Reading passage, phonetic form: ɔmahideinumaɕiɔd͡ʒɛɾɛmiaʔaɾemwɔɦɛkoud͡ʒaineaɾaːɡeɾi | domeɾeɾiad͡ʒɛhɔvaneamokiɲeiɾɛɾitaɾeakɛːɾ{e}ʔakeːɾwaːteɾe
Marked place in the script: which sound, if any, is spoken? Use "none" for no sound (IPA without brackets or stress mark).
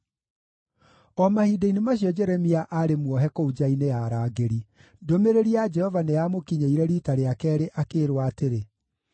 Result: e